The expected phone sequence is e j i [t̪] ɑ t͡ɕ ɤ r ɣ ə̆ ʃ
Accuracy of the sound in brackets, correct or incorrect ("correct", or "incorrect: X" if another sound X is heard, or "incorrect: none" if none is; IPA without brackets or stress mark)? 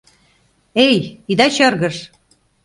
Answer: incorrect: d̪